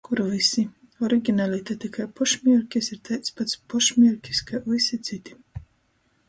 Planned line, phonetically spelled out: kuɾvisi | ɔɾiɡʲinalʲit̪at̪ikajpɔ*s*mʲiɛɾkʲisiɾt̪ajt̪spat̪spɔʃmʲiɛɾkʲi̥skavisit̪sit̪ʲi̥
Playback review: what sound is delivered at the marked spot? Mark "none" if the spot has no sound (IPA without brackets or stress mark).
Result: ʃ